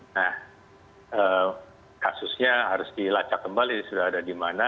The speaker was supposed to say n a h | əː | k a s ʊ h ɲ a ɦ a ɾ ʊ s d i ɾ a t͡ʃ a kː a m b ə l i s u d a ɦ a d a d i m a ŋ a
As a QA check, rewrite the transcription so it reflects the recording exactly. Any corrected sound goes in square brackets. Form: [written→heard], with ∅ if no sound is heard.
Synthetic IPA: n a h | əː | k a s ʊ [h→s] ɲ a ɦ a ɾ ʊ s d i [ɾ→l] a t͡ʃ a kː [a→ə] m b [ə→a] l i s u d a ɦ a d a d i m a [ŋ→n] a